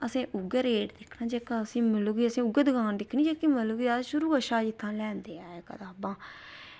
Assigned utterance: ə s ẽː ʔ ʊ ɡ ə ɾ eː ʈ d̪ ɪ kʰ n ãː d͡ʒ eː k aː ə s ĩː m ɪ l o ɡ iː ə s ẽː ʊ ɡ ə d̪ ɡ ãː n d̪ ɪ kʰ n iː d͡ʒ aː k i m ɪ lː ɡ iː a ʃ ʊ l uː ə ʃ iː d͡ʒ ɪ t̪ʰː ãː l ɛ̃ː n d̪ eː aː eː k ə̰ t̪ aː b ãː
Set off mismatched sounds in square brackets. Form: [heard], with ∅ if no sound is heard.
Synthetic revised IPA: ə s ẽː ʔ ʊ ɡ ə ɾ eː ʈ d̪ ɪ kʰ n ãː d͡ʒ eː k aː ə s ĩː m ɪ l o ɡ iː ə s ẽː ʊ ɡ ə d̪ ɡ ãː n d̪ ɪ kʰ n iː d͡ʒ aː k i m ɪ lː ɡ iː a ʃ ʊ [ɾ] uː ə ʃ [aː] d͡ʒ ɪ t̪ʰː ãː l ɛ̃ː n d̪ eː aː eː k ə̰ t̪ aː b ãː